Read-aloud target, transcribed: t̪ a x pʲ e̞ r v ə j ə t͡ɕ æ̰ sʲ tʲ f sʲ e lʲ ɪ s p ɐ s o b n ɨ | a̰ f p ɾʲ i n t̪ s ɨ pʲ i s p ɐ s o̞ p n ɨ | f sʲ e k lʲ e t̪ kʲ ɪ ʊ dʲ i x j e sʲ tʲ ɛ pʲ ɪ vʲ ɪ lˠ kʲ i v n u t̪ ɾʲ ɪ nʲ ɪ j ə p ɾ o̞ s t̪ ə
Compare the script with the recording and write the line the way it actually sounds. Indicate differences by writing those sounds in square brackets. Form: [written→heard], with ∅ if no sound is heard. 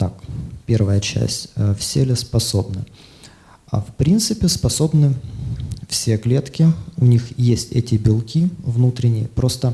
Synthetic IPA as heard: t̪ a [x→k] pʲ e̞ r v ə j ə t͡ɕ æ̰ sʲ tʲ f sʲ e lʲ ɪ s p ɐ s o b n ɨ | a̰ f p ɾʲ i n t̪ s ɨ pʲ [i→ɪ] s p ɐ s o̞ [p→b] n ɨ | f sʲ e k lʲ e t̪ kʲ ɪ ʊ [dʲ→nʲ] i x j e sʲ tʲ ɛ [pʲ→tʲ] ɪ [vʲ→bʲ] ɪ lˠ kʲ i v n u t̪ ɾʲ ɪ nʲ ɪ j ə p ɾ o̞ s t̪ ə